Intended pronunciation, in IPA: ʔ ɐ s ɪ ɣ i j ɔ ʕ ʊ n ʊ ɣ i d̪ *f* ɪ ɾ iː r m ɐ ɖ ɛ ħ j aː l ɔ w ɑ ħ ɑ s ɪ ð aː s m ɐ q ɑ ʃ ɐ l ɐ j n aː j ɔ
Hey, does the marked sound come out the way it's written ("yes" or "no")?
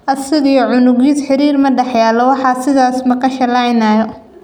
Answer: no